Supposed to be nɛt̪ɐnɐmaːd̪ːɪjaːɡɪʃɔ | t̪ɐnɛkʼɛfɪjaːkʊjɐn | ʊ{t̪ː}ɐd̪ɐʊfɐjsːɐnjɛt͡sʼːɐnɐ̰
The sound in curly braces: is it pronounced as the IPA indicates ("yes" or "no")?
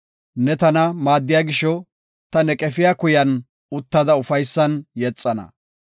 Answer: yes